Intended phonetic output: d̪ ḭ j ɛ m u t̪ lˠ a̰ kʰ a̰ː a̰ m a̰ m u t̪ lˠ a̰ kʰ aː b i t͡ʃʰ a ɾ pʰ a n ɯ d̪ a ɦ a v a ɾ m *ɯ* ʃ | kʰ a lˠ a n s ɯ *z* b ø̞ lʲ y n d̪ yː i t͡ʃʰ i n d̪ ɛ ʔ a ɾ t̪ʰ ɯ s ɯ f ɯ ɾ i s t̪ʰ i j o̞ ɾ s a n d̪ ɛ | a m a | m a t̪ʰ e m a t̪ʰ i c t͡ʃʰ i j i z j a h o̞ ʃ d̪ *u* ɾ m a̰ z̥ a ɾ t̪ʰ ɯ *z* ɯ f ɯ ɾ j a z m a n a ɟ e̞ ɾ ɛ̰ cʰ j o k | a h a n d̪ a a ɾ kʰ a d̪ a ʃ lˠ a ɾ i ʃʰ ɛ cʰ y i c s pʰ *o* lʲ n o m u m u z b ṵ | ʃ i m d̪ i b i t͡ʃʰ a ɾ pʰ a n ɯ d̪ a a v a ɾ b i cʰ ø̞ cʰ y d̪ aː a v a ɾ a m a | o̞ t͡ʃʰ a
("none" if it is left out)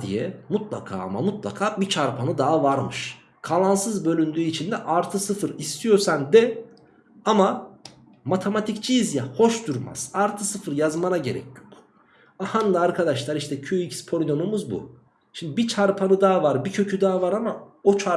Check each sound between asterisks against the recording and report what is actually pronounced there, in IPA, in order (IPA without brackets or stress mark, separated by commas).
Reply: ɯ, z, u, s, o